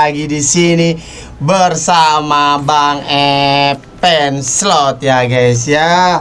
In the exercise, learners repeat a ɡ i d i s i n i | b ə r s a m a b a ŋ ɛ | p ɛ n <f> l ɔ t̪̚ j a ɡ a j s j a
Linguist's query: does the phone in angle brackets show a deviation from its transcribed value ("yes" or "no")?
yes